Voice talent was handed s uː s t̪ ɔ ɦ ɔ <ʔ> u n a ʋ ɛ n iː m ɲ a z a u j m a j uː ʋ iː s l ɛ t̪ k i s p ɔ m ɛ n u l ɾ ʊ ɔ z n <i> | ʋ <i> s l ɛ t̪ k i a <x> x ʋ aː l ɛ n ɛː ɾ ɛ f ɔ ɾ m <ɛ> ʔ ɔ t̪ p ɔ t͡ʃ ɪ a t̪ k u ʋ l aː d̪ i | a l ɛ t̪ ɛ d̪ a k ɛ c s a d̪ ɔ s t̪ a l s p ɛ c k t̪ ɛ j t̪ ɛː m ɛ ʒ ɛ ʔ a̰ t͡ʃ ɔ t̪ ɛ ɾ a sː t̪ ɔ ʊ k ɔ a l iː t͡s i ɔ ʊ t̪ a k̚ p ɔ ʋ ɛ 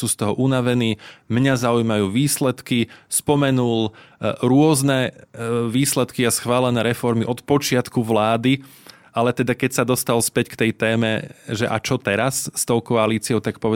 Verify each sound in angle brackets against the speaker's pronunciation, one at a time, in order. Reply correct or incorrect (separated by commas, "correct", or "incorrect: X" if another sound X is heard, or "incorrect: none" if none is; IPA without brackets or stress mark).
correct, incorrect: ɛ, incorrect: iː, incorrect: s, incorrect: i